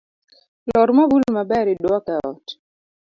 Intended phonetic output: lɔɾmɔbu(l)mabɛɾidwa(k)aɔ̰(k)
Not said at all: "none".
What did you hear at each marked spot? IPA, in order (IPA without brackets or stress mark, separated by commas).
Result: l, k, t